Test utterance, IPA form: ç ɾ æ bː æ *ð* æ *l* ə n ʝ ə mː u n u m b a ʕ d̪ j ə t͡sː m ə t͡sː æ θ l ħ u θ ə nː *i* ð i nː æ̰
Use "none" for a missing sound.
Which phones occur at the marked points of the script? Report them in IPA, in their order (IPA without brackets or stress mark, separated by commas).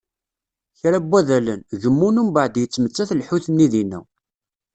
ð, l, i